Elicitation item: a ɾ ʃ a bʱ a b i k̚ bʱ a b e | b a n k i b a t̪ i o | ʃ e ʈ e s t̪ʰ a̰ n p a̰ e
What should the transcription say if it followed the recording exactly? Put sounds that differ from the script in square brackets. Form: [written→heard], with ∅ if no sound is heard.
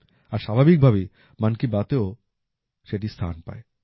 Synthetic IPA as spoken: a ɾ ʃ a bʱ a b i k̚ bʱ a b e | [b→m] a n k i b a t̪ [i→e] o | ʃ e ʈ [e→i] s t̪ʰ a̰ n p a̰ e